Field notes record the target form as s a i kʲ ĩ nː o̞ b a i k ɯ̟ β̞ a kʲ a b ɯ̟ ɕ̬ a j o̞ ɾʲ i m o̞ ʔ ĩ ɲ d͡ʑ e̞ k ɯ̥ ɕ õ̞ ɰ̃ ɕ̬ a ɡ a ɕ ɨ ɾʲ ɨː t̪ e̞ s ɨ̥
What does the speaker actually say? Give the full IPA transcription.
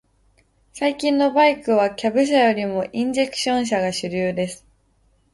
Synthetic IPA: s a i kʲ ĩ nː o̞ b a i k ɯ̟ β̞ a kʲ a b ɯ̟ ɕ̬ a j o̞ ɾʲ i m o̞ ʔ ĩ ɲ d͡ʑ e̞ k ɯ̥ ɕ õ̞ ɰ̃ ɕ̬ a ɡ a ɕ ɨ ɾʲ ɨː d̪ e̞ s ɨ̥